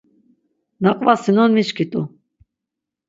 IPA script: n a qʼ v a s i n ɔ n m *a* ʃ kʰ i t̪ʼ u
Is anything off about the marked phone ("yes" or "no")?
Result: yes